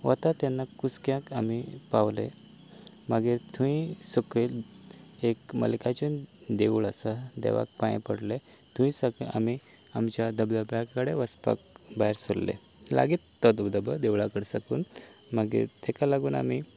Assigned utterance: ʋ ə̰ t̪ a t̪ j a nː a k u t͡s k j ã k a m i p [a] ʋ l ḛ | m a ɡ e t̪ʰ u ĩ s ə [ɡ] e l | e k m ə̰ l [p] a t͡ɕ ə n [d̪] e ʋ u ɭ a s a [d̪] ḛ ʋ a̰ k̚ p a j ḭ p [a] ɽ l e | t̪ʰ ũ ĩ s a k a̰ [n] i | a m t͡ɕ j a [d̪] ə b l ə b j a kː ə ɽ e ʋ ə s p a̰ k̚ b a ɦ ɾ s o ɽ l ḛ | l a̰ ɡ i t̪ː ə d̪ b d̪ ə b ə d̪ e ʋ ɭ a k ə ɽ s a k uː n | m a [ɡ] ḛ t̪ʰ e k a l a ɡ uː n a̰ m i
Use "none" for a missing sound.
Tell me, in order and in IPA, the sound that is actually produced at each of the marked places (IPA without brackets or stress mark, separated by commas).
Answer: a, k, k, d̪, d̪, ə, m, d̪, ɡ